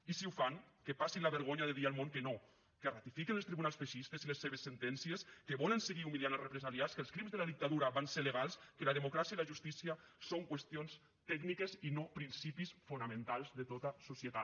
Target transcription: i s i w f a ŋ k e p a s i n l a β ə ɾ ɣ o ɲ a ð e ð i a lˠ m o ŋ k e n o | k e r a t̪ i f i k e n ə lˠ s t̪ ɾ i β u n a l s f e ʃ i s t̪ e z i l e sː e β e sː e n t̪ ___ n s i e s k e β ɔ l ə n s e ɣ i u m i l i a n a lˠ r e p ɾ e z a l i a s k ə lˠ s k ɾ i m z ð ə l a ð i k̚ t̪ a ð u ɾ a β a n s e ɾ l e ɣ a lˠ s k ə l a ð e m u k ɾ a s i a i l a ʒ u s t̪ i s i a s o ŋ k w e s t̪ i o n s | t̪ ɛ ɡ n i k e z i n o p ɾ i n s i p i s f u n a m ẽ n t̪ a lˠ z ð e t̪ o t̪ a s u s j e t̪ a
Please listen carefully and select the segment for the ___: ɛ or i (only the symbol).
ɛ